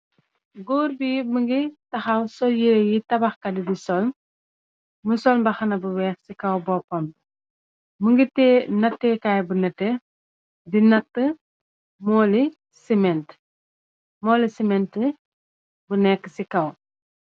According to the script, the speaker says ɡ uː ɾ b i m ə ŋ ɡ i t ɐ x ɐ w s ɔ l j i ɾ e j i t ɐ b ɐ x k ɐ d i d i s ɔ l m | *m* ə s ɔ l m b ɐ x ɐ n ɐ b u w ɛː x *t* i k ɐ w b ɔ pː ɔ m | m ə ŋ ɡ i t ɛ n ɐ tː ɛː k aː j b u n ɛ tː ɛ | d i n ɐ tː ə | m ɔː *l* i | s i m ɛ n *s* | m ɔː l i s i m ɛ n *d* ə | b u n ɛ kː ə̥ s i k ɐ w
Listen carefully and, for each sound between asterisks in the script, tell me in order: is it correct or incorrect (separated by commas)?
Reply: correct, incorrect, correct, incorrect, incorrect